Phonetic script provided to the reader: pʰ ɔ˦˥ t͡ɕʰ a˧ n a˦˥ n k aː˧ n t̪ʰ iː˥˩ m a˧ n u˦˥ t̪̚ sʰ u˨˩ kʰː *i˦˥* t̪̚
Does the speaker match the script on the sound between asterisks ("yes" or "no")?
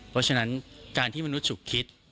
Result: yes